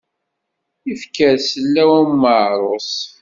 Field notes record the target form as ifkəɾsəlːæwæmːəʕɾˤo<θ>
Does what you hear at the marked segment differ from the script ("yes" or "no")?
yes